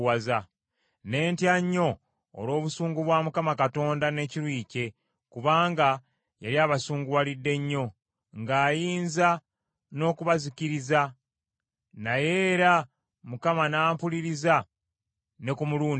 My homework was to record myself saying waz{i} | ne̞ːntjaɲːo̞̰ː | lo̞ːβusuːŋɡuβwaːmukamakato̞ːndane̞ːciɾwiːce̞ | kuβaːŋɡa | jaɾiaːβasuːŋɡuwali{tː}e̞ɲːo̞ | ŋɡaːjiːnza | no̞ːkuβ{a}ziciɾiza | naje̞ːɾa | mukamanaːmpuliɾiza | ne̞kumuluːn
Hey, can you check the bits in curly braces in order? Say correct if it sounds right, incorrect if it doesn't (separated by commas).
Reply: incorrect, incorrect, correct